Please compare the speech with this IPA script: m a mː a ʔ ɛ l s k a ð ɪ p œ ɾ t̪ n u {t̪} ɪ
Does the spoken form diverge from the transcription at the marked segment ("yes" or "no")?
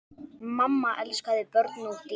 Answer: no